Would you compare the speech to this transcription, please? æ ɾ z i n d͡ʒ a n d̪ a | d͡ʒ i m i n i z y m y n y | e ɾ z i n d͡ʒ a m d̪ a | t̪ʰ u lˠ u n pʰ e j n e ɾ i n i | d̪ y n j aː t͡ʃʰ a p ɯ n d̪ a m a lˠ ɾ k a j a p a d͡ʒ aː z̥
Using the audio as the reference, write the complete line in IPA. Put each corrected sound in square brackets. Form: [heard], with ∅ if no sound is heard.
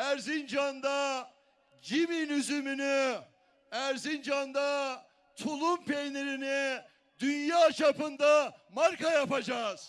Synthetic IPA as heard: æ ɾ z i n d͡ʒ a n d̪ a | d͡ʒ i m i n [y] z y m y n y | [æ] ɾ z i n d͡ʒ a [n] d̪ a | t̪ʰ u lˠ u [m] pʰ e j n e ɾ i n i | d̪ y n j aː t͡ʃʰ a p ɯ n d̪ a m a [∅] ɾ k a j a p a d͡ʒ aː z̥

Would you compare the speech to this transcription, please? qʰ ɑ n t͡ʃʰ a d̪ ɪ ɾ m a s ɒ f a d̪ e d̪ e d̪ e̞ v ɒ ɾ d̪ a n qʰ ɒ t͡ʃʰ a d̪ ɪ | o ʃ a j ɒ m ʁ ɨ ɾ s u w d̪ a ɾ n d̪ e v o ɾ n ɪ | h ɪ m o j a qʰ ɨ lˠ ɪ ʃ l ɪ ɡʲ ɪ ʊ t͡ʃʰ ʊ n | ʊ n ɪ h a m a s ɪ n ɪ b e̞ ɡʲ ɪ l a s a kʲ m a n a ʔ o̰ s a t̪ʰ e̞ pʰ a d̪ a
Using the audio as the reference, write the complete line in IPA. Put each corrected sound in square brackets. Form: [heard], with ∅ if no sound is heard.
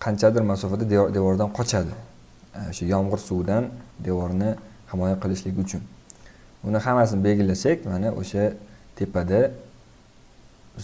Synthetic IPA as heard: qʰ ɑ n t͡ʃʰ a d̪ ɪ ɾ m a s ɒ f a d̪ [a] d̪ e d̪ e̞ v ɒ ɾ d̪ a n qʰ ɒ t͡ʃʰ a d̪ ɪ | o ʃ a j ɒ m ʁ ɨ ɾ s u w d̪ a [∅] n d̪ e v [ɒ] ɾ n ɪ | h ɪ m [ɒ] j a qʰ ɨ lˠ ɪ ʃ l ɪ ɡʲ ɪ ʊ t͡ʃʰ ʊ n | ʊ n ɪ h a m a s ɪ n ɪ b e̞ ɡʲ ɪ l a s a kʲ m a n a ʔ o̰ [ʃ] a t̪ʰ e̞ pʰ a d̪ a

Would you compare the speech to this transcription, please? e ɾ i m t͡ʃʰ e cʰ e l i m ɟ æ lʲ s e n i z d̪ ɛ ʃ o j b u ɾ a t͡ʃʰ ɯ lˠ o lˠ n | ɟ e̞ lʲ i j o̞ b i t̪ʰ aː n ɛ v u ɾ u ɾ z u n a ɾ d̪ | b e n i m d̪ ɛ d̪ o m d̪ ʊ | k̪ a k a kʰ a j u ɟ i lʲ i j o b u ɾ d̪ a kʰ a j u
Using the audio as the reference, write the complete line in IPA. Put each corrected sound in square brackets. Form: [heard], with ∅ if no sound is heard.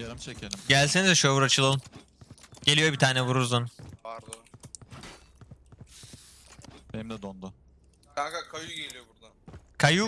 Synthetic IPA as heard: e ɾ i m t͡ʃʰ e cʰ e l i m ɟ æ lʲ s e n i z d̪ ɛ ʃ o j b u ɾ a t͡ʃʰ ɯ lˠ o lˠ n | ɟ e̞ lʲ i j o̞ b i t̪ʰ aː n ɛ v u ɾ u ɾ z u n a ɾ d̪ | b e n i m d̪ ɛ d̪ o [n] d̪ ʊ | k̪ a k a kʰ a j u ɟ [e] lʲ i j o b u ɾ d̪ a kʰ a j u

